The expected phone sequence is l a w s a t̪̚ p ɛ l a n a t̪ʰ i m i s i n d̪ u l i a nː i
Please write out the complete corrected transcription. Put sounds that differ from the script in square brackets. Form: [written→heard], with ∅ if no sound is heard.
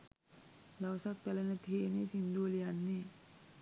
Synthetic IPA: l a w s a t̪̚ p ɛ l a n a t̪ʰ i [m→n] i s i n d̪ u l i a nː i